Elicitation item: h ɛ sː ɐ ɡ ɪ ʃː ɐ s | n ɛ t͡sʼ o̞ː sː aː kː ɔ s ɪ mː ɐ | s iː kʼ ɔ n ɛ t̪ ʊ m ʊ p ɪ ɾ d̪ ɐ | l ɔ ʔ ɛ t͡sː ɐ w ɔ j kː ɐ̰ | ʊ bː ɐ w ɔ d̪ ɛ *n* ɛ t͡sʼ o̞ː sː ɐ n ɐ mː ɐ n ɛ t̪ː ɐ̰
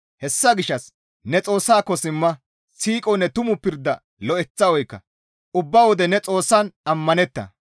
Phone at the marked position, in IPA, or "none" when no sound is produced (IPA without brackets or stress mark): n